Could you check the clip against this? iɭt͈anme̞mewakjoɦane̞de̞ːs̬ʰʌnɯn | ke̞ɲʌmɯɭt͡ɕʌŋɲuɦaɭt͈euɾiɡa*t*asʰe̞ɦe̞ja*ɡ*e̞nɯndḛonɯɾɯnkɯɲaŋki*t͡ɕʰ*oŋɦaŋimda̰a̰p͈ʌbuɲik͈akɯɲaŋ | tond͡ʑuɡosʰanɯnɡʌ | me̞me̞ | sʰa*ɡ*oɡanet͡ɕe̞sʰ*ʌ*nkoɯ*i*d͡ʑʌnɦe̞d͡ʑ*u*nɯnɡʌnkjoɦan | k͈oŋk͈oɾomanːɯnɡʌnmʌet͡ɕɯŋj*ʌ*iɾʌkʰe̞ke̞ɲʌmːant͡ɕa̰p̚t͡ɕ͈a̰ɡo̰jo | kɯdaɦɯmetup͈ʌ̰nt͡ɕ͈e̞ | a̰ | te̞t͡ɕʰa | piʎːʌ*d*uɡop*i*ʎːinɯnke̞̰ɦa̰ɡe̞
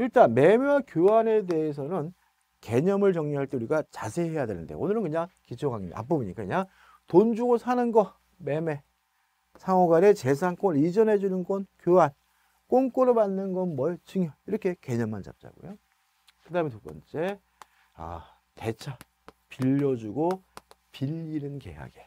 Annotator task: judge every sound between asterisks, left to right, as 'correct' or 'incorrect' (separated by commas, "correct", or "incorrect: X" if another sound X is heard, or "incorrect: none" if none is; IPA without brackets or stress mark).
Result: incorrect: t͡ɕ, incorrect: d, correct, incorrect: ŋ, incorrect: a, correct, correct, correct, incorrect: d͡ʑ, correct